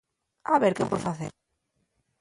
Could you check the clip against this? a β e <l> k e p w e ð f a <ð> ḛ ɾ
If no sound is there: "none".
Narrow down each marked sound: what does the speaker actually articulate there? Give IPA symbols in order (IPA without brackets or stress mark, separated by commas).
ɾ, θ